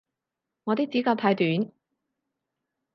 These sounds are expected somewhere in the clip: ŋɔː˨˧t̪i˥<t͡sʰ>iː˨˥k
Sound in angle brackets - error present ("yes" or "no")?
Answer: yes